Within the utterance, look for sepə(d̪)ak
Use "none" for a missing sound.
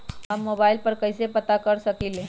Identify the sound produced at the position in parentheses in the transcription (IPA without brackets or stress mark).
t̪